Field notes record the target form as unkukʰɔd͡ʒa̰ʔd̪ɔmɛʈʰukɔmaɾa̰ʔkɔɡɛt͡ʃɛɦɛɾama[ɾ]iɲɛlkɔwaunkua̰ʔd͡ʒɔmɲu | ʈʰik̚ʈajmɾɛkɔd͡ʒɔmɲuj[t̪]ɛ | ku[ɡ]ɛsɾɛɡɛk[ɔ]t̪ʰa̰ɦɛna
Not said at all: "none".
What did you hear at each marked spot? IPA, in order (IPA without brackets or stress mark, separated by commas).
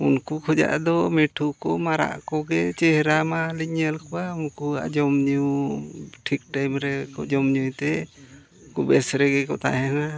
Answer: l, t̪, b, ɔ